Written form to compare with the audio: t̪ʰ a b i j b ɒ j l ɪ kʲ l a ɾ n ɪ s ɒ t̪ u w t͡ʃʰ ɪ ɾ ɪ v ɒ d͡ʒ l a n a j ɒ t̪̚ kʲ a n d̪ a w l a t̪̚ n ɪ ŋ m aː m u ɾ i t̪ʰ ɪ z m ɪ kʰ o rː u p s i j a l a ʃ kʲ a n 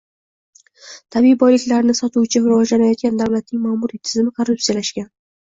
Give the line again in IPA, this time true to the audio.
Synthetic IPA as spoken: t̪ʰ a b i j b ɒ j l ɪ kʲ l a ɾ n ɪ s ɒ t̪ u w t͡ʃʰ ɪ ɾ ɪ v ɒ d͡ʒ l a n a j ɒ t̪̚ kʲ a n d̪ a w l a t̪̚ n ɪ ŋ m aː m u ɾ i t̪ʰ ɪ z m ɪ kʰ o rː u p s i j a l a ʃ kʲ a n